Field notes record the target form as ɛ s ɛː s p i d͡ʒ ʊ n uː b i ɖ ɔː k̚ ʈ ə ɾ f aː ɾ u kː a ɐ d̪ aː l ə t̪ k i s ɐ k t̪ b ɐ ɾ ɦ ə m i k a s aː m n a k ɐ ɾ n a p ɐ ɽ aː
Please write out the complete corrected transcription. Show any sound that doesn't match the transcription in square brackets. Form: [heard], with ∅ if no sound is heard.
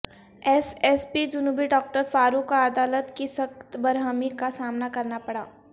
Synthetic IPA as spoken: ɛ s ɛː s p i d͡ʒ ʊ n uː b i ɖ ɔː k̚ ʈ ə ɾ f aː ɾ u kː a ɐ d̪ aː l ə t̪ k i s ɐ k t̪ b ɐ ɾ ɦ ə m i k a s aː m n a k ɐ ɾ n a p ɐ ɽ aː